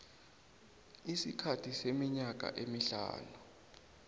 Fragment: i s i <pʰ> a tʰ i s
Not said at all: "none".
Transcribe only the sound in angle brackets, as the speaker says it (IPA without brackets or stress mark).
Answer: kʰ